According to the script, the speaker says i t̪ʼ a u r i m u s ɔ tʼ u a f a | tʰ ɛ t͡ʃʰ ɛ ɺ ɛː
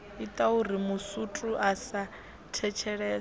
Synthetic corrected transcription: i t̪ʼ a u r i m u s u tʼ u a s a | tʰ ɛ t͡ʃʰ ɛ ɺ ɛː